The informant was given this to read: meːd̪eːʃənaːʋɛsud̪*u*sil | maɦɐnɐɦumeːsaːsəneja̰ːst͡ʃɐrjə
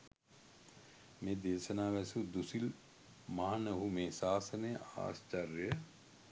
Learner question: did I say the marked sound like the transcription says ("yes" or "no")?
yes